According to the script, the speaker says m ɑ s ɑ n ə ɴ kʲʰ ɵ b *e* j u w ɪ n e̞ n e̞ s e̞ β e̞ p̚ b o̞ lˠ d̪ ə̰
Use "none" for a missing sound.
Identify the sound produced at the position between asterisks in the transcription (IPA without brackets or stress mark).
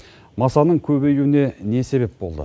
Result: e